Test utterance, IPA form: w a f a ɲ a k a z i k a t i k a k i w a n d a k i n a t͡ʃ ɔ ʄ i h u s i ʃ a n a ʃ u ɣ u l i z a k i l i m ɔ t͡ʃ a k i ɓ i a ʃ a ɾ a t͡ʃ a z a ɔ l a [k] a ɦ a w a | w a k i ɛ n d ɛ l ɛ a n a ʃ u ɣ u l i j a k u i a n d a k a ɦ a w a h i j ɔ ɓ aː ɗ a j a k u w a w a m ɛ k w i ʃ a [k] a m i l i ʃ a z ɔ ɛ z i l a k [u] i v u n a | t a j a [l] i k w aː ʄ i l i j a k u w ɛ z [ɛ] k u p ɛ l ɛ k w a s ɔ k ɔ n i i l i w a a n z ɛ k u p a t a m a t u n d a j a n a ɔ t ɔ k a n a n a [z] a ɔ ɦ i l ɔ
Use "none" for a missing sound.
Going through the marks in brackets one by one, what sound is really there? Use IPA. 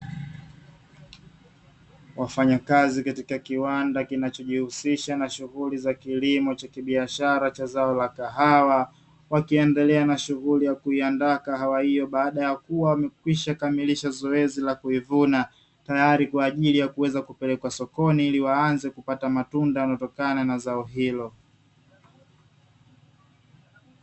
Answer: k, k, u, ɾ, a, z

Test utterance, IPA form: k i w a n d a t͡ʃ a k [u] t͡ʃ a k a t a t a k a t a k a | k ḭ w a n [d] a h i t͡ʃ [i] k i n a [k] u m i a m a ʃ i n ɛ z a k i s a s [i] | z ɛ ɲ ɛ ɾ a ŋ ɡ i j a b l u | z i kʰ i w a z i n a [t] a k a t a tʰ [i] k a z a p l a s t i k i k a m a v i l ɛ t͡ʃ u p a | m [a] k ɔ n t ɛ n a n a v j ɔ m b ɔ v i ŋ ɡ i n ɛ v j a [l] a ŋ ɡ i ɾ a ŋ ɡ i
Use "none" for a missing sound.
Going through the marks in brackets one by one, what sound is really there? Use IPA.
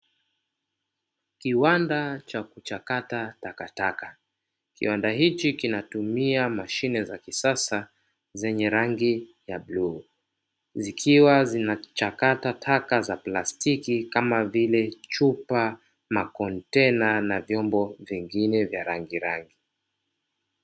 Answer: u, d, i, t, a, t͡ʃ, a, a, ɾ

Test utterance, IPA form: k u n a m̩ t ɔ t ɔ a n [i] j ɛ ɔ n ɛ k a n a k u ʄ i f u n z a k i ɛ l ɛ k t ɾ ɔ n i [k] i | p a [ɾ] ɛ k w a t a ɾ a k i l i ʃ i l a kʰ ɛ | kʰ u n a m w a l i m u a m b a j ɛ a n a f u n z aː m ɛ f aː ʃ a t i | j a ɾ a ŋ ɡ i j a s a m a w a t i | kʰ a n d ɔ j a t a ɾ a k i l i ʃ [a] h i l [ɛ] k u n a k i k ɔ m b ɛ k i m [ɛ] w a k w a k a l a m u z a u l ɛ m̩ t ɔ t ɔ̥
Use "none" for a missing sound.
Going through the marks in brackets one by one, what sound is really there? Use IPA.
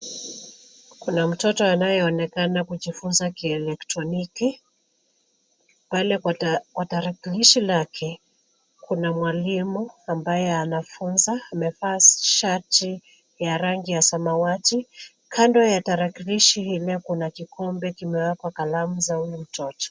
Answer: a, k, l, i, ɛ, ɛ

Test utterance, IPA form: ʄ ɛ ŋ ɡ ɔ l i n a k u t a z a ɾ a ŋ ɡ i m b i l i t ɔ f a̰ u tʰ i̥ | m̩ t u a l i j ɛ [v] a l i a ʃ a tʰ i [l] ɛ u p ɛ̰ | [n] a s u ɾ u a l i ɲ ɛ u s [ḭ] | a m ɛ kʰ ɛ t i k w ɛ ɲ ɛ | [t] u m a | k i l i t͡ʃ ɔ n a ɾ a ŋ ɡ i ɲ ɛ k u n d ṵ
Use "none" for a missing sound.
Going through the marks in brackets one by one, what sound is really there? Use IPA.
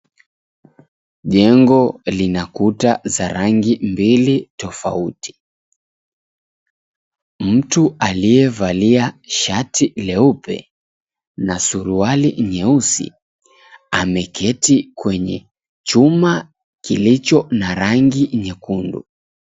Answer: v, l, n, ḭ, t͡ʃ

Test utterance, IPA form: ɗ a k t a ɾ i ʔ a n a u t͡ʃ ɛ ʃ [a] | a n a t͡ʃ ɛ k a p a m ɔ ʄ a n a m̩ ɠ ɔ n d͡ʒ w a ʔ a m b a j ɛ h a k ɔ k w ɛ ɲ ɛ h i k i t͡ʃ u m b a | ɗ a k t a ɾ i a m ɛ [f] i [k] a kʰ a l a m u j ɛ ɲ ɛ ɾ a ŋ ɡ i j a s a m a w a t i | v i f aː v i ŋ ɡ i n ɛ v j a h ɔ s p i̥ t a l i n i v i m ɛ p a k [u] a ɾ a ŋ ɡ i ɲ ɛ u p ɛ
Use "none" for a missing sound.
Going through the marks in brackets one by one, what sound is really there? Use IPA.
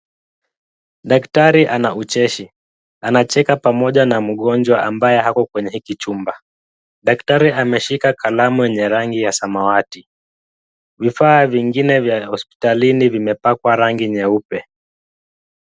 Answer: i, ʃ, k, w

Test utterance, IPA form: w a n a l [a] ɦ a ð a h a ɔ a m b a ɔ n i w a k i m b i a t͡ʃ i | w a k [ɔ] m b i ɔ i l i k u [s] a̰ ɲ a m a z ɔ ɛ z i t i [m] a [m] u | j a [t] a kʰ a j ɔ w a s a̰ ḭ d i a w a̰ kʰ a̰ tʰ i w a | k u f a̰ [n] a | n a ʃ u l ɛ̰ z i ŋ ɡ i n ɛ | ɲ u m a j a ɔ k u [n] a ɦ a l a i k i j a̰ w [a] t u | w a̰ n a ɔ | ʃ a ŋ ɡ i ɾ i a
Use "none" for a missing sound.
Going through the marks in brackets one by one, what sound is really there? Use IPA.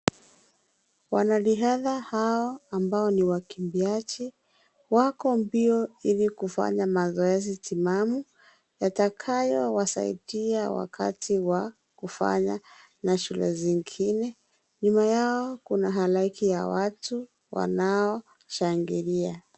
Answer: i, ɔ, f, m, m, t, ɲ, n, a

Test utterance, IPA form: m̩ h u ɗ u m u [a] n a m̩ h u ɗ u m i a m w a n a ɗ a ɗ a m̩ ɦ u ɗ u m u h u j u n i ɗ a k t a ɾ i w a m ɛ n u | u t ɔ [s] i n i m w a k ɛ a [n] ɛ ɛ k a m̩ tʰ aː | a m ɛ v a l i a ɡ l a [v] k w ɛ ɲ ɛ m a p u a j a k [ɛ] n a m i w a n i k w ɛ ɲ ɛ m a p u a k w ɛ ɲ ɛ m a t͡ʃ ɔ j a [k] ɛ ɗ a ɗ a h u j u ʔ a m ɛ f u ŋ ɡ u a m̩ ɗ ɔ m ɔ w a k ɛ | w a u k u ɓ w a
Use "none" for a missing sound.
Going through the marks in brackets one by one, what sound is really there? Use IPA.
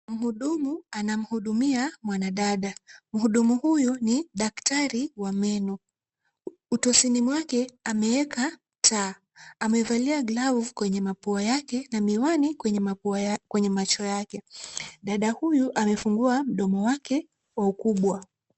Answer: a, s, m, v, ɛ, k

